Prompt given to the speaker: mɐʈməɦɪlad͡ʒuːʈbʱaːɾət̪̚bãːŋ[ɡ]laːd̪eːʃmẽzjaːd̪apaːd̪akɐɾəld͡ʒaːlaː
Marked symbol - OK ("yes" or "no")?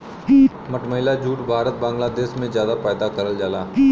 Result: yes